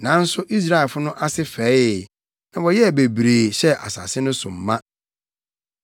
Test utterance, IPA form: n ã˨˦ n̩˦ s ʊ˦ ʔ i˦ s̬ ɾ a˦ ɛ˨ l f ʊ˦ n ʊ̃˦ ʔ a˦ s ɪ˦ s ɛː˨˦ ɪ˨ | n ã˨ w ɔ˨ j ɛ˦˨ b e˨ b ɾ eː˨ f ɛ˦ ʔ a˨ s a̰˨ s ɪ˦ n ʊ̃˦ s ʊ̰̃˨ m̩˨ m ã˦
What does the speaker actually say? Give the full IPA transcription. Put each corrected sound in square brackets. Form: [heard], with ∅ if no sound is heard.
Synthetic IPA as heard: n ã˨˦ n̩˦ s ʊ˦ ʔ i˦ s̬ ɾ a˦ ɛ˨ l f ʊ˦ n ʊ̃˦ ʔ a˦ s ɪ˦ [f] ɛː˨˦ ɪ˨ | n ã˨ w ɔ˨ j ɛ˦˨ b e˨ b ɾ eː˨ [ɕ] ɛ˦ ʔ a˨ s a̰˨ s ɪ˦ n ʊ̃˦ s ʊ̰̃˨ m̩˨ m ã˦